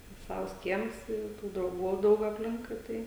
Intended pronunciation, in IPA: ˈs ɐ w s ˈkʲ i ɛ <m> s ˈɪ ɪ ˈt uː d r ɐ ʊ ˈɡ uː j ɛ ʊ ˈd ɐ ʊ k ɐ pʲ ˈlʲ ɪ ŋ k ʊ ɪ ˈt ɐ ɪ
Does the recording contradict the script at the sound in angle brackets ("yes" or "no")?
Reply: no